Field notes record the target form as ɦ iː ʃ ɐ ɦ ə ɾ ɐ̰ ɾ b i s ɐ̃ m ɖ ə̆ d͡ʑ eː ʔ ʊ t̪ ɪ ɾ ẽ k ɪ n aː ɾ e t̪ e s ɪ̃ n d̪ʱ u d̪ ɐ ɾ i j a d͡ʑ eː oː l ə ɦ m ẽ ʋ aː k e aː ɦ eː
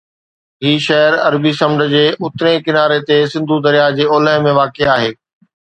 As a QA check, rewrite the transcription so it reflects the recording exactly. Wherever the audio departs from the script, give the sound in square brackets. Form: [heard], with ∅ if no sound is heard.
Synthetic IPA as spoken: ɦ iː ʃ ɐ ɦ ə ɾ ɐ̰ ɾ b i s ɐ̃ m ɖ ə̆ d͡ʑ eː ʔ ʊ t̪ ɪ ɾ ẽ k ɪ n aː ɾ e t̪ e s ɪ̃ n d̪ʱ u d̪ ɐ ɾ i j a d͡ʑ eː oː l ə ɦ m ẽ ʋ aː k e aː ɦ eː